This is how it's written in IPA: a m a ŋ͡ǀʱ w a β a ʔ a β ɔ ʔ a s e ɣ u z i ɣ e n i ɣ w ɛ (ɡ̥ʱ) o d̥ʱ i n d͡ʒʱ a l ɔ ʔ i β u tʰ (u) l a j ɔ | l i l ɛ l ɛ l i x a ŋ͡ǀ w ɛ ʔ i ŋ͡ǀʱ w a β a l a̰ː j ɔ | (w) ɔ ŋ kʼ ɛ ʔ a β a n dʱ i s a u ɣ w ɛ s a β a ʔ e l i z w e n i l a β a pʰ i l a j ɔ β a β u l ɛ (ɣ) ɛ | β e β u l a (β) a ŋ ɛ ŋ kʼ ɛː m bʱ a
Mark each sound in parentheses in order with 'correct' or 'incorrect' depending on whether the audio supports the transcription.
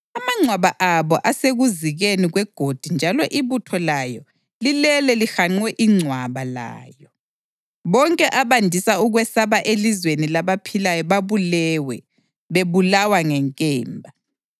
correct, incorrect: ɔ, incorrect: β, incorrect: w, incorrect: w

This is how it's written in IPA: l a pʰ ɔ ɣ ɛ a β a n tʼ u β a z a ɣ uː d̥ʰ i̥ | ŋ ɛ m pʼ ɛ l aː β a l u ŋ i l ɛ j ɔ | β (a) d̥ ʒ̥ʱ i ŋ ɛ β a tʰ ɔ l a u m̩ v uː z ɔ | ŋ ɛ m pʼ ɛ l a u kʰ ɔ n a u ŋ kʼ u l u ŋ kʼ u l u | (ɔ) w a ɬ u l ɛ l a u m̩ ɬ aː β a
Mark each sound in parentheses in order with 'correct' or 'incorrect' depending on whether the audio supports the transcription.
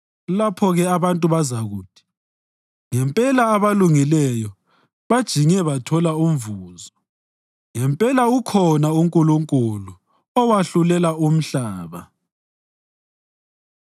correct, correct

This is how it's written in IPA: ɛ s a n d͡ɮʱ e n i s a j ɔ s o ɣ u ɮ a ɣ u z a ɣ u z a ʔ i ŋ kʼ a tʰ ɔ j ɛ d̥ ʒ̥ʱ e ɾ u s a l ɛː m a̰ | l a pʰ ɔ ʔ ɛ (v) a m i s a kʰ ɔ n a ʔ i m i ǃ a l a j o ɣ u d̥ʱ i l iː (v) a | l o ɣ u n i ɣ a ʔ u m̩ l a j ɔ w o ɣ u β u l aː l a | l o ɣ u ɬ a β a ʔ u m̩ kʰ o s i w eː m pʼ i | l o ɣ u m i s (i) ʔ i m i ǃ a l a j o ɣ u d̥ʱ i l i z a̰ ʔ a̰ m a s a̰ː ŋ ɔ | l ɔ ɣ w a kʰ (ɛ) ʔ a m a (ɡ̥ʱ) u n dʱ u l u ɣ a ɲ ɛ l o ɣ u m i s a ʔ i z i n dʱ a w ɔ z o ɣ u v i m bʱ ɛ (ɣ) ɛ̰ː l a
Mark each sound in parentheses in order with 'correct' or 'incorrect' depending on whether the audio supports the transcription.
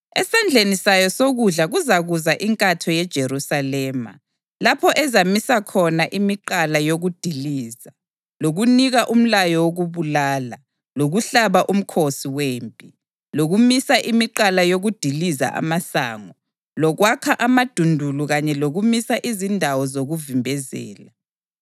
incorrect: z, incorrect: z, incorrect: a, incorrect: a, incorrect: d̥ʱ, incorrect: z

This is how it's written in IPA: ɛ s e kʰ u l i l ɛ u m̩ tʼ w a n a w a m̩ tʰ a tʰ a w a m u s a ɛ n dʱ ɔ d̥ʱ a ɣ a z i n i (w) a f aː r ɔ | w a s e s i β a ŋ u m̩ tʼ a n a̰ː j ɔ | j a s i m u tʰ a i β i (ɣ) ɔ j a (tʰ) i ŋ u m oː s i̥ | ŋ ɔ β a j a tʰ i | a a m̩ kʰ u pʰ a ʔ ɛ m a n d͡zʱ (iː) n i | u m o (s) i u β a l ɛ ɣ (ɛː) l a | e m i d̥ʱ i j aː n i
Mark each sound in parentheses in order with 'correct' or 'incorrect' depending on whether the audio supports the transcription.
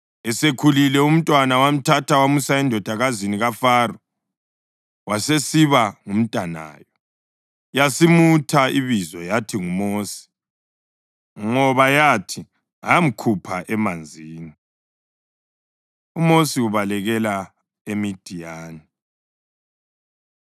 incorrect: ɣ, incorrect: z, correct, correct, correct, incorrect: ɛ

